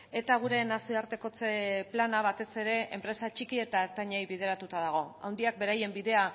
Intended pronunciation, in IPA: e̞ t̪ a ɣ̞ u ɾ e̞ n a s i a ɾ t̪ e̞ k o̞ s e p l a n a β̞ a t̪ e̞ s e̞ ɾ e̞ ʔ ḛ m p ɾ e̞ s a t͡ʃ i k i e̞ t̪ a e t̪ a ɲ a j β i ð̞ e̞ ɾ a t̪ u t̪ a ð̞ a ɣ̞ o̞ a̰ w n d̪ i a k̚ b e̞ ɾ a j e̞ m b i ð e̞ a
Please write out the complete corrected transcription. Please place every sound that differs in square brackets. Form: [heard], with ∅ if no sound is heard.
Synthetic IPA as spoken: e̞ t̪ a ɣ̞ u ɾ e̞ n a s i a ɾ t̪ e̞ k o̞ [t͡s] e p l a n a β̞ a t̪ e̞ s e̞ ɾ e̞ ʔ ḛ m p ɾ e̞ s a t͡ʃ i k i e̞ t̪ a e t̪ a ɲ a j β i ð̞ e̞ ɾ a t̪ u t̪ a ð̞ a ɣ̞ o̞ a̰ w n d̪ i a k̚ b e̞ ɾ a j e̞ m b i ð e̞ a